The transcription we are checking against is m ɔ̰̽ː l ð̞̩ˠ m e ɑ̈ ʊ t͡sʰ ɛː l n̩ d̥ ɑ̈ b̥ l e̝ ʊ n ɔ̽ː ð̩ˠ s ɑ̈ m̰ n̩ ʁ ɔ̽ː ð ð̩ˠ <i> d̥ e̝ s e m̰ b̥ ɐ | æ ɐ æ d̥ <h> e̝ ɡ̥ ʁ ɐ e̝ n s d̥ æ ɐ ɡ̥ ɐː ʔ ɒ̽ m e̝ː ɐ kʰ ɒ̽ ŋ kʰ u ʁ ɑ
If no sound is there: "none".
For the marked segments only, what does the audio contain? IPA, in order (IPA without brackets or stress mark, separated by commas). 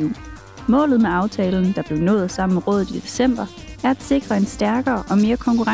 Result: i, s